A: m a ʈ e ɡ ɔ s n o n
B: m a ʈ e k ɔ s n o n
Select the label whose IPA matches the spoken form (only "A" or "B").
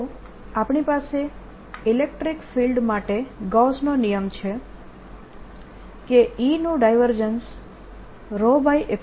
A